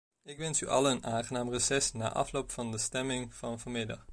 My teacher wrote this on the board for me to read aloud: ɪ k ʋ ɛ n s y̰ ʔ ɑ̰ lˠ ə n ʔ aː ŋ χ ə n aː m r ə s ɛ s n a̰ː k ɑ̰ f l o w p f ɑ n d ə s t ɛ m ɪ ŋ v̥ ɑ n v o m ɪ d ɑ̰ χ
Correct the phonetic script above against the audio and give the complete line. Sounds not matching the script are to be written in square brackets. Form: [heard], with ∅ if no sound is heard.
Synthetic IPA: ɪ k ʋ ɛ n s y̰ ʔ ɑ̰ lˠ ə n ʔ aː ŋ χ ə n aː m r ə s ɛ s n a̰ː [ʔ] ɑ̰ f l o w p f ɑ n d ə s t ɛ m ɪ ŋ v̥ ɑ n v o m ɪ d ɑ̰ χ